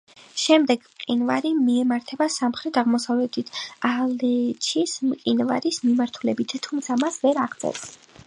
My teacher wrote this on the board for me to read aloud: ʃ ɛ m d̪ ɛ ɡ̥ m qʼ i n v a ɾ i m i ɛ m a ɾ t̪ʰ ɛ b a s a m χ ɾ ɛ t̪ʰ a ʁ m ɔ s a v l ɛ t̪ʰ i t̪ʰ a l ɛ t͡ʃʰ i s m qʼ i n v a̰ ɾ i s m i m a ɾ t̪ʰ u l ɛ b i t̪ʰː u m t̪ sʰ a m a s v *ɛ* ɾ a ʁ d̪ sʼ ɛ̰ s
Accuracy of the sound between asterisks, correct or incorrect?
correct